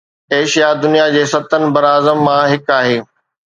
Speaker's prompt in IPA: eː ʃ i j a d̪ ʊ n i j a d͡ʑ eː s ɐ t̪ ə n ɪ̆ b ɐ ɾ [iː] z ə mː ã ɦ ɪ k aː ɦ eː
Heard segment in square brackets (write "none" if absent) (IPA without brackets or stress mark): aː